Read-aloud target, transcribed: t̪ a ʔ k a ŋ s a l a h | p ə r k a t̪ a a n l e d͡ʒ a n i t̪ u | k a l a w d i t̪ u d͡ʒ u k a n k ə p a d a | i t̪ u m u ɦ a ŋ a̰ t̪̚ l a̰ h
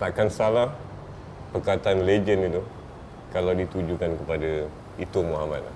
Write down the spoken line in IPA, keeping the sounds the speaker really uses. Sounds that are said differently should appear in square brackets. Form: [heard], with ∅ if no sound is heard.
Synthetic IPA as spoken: t̪ a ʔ k a [n] s a l a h | p ə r k a t̪ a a n l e d͡ʒ [ə] n i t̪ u | k a l a w d i t̪ u d͡ʒ u k a n k ə p a d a | i t̪ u m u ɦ a [m] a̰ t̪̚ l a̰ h